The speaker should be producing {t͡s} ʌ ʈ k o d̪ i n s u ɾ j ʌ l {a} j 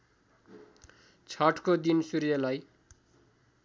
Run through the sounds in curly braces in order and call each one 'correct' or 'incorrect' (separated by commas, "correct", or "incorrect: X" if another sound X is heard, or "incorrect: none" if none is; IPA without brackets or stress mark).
incorrect: t͡sʰ, correct